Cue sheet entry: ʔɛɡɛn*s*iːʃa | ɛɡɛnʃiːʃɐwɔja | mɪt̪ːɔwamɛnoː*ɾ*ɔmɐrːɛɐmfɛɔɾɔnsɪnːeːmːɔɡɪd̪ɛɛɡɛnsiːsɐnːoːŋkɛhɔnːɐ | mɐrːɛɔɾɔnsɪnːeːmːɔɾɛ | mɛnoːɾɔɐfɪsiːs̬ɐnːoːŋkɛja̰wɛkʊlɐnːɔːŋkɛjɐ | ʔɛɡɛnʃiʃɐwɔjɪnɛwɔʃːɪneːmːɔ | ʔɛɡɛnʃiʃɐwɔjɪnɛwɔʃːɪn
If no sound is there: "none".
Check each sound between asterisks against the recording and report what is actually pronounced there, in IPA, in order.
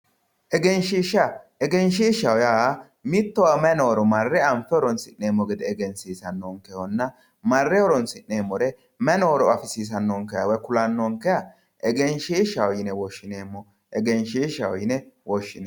ʃ, ɾ

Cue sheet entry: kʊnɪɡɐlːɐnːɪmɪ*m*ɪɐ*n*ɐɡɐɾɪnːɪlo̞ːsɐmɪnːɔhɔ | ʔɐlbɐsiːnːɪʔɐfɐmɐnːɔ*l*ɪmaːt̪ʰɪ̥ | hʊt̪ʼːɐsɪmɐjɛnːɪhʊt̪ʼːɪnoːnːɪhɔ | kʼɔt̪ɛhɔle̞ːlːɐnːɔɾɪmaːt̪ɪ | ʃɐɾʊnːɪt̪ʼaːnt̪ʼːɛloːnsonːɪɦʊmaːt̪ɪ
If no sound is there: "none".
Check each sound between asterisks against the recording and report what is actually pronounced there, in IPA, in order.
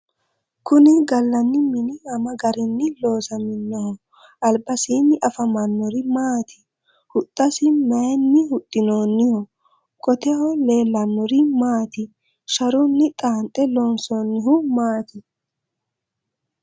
n, m, ɾ

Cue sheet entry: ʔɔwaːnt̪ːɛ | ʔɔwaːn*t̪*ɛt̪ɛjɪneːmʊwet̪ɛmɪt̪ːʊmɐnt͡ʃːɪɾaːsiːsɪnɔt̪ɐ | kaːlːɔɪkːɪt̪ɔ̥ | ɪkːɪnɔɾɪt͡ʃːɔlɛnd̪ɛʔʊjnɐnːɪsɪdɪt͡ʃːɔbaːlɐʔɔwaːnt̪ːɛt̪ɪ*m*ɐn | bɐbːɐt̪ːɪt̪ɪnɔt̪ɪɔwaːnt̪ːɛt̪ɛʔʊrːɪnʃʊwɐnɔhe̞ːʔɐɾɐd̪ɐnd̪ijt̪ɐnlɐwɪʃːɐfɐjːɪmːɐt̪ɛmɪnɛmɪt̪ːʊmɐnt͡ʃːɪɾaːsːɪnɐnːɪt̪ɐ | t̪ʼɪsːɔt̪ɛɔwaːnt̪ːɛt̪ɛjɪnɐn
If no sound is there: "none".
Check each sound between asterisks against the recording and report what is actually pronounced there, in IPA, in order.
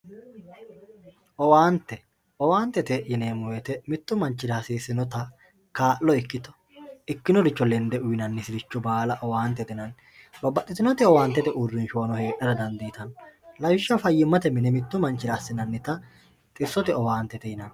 t̪, n

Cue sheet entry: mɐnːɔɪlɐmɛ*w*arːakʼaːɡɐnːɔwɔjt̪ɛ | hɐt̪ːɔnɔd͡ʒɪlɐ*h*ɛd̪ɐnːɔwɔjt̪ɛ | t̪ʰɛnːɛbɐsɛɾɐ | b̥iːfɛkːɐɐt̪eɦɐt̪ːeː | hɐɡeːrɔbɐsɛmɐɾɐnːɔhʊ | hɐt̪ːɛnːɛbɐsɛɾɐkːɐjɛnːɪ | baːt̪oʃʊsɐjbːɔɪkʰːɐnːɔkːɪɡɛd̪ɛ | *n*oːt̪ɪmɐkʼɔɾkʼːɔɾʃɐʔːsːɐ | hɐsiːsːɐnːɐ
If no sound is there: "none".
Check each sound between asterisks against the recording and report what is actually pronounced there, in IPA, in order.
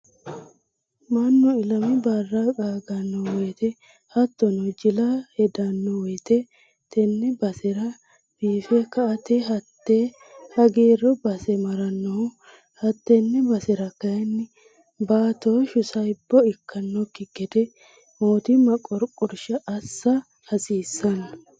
b, h, m

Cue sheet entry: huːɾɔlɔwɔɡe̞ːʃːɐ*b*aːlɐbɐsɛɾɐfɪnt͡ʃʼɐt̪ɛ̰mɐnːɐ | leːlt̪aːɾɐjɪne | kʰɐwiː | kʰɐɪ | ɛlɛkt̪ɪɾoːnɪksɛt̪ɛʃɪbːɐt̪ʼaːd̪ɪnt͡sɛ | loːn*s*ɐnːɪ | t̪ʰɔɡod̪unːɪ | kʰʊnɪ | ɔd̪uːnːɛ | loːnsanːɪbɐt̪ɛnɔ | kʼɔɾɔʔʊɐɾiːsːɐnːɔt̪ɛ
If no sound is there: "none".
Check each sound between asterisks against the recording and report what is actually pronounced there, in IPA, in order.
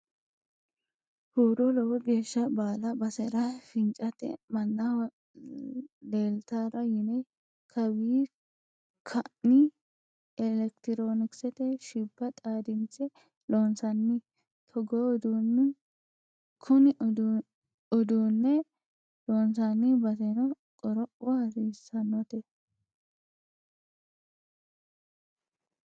b, s

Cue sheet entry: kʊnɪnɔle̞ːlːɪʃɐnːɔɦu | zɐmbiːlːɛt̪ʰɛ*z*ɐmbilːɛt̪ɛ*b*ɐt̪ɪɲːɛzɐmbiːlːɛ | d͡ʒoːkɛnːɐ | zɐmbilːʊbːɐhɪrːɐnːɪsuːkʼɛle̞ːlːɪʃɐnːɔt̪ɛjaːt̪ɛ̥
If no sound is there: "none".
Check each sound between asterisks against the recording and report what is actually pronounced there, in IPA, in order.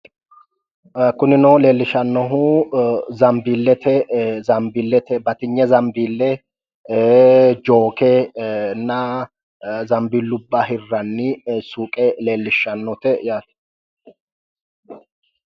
z, b

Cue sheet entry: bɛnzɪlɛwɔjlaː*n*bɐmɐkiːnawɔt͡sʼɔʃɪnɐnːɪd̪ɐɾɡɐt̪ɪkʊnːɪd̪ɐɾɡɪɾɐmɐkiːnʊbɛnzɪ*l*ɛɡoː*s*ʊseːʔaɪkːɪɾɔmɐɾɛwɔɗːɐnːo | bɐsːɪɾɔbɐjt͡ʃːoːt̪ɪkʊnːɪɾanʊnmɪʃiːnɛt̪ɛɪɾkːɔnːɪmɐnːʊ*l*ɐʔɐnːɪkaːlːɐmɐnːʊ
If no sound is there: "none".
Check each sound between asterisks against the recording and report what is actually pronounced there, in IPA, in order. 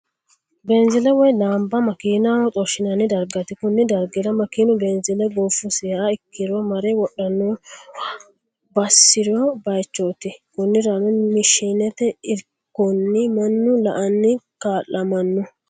m, l, f, l

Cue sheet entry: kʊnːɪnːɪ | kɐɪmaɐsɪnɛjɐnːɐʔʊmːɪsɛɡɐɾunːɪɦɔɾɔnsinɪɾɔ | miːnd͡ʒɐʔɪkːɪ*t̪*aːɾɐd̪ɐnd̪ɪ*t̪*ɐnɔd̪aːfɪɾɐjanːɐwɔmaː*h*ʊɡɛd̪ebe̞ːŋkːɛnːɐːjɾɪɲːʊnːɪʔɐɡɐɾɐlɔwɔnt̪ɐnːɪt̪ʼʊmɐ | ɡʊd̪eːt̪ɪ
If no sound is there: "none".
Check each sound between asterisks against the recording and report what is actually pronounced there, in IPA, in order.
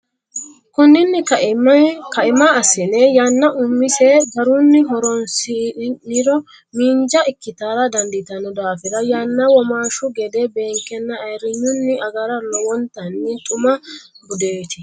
t̪, t̪, ʃ

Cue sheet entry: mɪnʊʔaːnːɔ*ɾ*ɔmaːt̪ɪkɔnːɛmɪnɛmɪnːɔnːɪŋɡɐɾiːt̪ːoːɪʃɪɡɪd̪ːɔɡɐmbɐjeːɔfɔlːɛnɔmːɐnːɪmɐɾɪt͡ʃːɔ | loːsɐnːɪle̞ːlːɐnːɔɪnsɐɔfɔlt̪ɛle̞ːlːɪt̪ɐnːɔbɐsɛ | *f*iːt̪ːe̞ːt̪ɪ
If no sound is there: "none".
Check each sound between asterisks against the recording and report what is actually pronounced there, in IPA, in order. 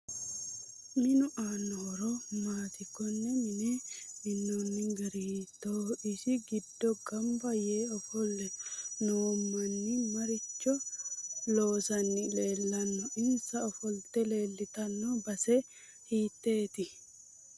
ɾ, h

